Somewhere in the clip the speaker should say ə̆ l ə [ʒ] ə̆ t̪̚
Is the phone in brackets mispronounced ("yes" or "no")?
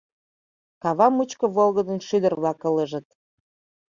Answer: no